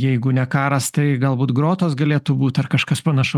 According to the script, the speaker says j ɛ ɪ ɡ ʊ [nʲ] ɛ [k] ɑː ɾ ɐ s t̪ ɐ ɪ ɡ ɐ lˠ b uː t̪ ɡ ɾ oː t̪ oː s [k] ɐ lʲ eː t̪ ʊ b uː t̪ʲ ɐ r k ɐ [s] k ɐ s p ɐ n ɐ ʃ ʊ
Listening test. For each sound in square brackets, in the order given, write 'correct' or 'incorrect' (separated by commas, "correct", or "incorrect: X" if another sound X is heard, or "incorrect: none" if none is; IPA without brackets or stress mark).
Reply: correct, correct, incorrect: ɡ, incorrect: ʃ